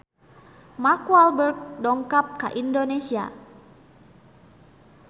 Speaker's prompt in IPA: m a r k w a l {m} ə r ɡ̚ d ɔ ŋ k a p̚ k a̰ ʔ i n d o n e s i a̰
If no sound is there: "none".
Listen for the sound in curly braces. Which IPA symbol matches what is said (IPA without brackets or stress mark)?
b